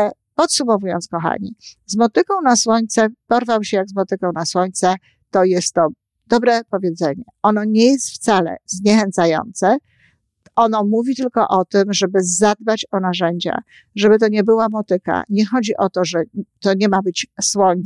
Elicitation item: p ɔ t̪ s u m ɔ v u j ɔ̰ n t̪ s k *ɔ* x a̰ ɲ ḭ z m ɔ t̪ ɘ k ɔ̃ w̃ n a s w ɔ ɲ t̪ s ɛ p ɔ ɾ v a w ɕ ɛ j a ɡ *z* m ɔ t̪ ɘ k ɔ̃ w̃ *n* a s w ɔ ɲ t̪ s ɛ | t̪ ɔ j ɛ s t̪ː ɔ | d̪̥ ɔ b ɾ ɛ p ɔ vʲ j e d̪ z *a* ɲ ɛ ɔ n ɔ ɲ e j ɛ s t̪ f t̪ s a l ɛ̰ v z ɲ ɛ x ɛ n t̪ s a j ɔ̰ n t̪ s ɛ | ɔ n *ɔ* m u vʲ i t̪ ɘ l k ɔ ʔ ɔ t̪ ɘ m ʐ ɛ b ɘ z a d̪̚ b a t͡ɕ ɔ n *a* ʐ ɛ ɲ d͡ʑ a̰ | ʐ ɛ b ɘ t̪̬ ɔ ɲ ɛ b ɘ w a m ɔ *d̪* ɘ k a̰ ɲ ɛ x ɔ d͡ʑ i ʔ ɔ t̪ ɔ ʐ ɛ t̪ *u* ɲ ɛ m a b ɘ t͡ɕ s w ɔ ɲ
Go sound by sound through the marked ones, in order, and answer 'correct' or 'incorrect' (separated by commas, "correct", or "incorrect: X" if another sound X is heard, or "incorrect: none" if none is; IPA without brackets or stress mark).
correct, correct, correct, incorrect: ɛ, correct, correct, incorrect: t̪, incorrect: ɔ